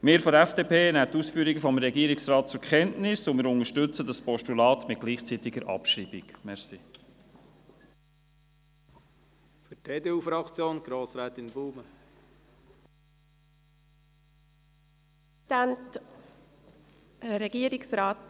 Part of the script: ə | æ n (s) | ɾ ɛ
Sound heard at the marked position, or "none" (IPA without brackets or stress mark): t